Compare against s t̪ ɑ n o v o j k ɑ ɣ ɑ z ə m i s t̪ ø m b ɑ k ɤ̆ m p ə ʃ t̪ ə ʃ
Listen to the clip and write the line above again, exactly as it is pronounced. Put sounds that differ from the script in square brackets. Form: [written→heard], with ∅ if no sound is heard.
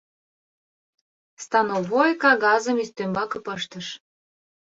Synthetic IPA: s t̪ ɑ n o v o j k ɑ ɣ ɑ z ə m i s t̪ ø m b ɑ k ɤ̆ [m→∅] p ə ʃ t̪ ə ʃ